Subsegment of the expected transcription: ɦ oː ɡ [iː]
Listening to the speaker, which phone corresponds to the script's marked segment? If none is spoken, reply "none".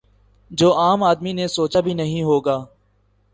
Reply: aː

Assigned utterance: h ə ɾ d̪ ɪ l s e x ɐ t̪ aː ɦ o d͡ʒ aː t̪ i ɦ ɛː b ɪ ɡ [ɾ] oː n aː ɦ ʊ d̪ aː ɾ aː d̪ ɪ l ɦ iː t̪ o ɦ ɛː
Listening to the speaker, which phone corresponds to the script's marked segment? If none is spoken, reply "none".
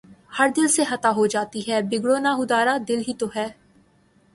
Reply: ɽ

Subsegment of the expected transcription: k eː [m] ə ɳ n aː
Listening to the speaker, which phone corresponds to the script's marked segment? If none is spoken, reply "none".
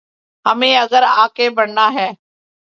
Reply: b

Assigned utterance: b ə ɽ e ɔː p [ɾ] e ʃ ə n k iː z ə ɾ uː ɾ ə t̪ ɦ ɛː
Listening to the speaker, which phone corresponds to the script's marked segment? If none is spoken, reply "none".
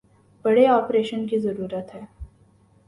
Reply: ɾ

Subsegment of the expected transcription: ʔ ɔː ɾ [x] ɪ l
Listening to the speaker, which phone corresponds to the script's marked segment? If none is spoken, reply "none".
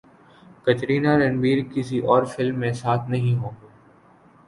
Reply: f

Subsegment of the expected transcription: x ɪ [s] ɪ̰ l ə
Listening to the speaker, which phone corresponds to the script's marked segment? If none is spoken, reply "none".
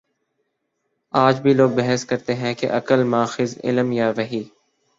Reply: z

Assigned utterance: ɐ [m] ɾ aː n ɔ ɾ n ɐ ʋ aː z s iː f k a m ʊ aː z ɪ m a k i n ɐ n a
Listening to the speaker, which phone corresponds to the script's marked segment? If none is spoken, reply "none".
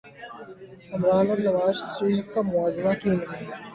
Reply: m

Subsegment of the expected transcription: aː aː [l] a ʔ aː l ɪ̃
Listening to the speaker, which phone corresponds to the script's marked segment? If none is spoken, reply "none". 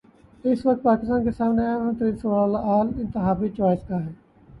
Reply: l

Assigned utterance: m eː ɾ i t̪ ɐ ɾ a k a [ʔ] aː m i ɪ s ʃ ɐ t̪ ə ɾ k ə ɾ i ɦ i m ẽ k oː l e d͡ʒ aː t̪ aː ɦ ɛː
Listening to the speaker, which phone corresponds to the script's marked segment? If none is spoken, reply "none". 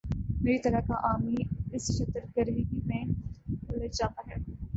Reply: ʔ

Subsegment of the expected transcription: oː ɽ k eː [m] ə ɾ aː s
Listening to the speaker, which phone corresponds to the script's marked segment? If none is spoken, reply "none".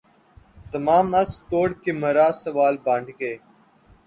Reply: m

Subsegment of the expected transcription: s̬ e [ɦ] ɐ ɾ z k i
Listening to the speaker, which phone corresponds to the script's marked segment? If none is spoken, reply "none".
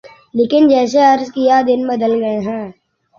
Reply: none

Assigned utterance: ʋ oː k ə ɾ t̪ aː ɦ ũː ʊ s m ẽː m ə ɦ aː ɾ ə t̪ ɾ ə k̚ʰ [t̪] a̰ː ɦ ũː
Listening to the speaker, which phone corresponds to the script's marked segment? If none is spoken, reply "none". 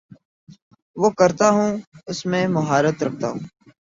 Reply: t̪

